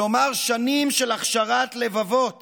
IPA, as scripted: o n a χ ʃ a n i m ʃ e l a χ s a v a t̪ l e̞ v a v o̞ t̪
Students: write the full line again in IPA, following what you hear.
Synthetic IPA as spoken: o m a ʁ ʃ a n i m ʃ e l a χ ʃ a ʁ a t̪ l e̞ v a v o̞ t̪